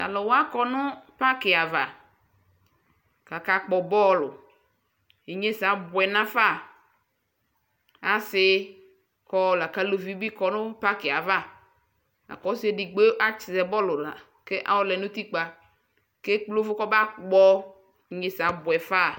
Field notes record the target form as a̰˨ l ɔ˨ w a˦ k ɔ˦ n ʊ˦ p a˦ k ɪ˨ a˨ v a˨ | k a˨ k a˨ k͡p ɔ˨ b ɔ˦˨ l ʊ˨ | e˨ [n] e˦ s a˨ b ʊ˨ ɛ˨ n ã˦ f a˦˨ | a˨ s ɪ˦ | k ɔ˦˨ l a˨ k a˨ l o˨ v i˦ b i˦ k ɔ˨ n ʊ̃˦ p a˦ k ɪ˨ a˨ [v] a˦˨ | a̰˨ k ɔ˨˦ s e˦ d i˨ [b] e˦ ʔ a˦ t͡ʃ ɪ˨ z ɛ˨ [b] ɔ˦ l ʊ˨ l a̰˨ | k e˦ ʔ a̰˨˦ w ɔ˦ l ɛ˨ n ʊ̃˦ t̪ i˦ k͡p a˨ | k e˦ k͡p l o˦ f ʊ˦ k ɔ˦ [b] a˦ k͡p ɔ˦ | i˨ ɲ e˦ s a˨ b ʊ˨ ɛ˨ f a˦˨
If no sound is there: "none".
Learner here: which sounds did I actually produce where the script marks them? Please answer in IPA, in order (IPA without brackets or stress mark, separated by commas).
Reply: ɲ, v, ɡ͡b, b, b